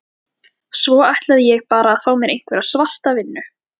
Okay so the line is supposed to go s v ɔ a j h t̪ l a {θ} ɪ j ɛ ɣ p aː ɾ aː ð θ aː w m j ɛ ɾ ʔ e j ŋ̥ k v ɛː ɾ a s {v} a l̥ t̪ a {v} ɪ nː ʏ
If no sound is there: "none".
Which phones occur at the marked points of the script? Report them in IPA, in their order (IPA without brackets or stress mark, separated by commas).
ð, v, v